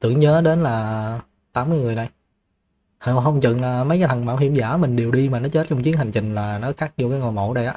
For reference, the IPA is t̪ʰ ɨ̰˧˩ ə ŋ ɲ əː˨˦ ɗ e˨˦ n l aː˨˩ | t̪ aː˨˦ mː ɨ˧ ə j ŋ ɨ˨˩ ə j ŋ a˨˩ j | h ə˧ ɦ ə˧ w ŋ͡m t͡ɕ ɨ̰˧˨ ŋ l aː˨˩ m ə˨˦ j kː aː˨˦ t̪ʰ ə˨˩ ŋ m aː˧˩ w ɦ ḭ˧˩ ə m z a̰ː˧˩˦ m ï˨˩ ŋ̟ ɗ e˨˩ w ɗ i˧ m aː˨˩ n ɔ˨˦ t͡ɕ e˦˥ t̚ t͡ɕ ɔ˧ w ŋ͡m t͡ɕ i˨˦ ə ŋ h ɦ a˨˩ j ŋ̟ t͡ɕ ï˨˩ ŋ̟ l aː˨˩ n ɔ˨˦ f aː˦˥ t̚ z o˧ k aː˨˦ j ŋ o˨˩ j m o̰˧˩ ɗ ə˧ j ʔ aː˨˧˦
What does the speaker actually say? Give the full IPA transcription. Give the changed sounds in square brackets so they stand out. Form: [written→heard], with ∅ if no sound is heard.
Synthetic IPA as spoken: [t̪ʰ→t̪] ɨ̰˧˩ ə ŋ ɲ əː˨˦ ɗ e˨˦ n l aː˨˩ | t̪ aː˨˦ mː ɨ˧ ə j ŋ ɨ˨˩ ə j [ŋ→n] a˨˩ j | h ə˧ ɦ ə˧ w ŋ͡m t͡ɕ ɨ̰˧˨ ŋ l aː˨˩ m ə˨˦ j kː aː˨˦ t̪ʰ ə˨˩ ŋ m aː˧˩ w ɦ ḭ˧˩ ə m z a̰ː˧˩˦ m ï˨˩ ŋ̟ ɗ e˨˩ w ɗ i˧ m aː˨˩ n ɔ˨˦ t͡ɕ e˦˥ t̚ t͡ɕ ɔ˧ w ŋ͡m t͡ɕ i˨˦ ə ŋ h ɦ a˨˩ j ŋ̟ t͡ɕ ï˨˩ ŋ̟ l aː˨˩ n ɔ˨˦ [f→x] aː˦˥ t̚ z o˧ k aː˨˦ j ŋ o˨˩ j m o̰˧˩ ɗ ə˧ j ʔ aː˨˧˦